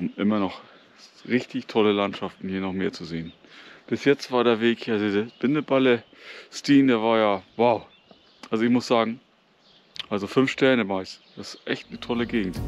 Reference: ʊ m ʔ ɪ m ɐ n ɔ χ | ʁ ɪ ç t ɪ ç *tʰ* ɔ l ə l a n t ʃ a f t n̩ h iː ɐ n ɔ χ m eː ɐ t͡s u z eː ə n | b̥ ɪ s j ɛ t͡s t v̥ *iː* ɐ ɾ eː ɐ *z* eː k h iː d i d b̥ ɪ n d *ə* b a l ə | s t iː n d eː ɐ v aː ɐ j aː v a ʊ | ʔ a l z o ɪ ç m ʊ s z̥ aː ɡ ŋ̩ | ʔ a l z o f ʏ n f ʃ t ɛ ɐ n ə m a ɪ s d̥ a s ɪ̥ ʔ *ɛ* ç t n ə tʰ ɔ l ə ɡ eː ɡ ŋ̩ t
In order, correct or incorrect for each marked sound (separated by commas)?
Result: correct, incorrect, incorrect, correct, correct